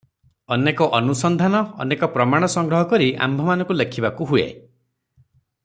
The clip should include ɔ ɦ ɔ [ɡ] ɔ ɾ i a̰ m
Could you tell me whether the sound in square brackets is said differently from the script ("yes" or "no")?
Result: yes